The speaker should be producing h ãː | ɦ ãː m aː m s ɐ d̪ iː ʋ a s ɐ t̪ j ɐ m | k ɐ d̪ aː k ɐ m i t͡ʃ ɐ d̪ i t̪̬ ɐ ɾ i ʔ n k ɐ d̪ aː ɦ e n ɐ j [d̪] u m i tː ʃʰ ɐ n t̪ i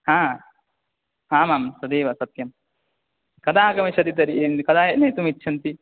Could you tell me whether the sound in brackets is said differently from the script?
yes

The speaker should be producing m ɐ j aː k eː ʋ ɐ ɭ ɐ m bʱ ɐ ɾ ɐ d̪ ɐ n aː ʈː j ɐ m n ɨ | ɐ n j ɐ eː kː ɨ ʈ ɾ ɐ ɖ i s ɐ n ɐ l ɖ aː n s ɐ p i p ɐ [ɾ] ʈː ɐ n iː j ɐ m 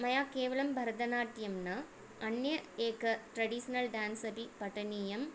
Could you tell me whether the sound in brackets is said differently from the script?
yes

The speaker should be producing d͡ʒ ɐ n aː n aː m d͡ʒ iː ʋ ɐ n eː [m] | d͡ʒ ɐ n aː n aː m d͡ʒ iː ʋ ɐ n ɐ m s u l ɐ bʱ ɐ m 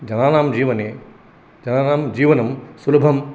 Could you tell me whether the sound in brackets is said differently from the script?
yes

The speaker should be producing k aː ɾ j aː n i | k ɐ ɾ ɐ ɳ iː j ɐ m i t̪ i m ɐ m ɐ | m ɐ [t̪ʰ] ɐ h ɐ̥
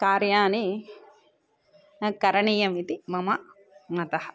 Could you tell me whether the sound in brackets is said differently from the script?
yes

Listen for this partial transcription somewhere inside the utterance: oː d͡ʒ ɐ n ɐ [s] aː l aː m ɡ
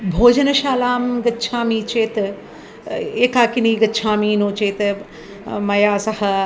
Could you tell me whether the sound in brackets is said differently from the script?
yes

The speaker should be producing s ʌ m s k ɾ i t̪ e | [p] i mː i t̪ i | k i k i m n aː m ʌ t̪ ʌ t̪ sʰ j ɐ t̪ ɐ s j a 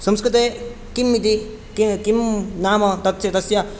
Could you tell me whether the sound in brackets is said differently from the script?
yes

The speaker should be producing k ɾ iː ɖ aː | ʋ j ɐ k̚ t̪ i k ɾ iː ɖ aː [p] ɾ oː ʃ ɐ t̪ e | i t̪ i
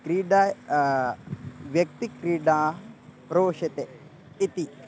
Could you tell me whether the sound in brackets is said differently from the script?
no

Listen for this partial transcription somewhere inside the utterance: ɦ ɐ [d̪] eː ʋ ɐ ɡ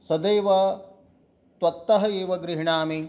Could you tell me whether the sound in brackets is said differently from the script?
yes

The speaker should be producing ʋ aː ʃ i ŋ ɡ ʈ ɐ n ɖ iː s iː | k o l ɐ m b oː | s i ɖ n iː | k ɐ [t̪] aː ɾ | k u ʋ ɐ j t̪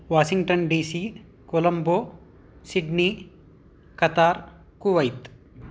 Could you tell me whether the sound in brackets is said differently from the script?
no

